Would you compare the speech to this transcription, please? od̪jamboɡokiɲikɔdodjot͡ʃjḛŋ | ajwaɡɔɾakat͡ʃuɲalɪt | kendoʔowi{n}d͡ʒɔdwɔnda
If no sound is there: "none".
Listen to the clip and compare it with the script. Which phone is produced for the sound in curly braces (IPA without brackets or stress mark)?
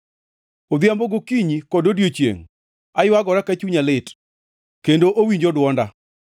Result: ɲ